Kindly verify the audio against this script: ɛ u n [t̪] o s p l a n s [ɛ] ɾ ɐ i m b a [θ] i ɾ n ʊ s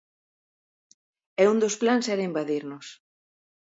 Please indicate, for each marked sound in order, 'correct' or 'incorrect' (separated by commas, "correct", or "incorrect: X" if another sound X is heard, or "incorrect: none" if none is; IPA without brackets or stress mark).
incorrect: d̪, correct, incorrect: ð